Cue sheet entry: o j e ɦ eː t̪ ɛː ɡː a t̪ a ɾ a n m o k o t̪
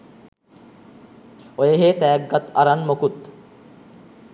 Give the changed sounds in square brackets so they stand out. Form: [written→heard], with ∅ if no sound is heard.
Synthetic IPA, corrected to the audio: o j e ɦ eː t̪ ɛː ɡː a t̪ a ɾ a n m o k [o→u] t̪